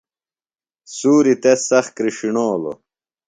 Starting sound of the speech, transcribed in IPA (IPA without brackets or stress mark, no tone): s